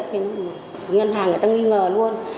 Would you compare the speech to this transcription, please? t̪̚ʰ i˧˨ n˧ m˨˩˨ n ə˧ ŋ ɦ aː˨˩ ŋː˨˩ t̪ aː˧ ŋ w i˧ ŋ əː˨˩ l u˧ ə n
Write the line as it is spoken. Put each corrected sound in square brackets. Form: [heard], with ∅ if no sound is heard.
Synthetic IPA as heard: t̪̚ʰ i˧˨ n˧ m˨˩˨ [ŋ] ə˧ [n] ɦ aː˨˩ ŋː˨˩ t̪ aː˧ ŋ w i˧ ŋ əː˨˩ l u˧ ə n